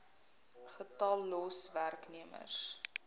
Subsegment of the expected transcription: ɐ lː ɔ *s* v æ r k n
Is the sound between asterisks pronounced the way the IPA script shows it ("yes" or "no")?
yes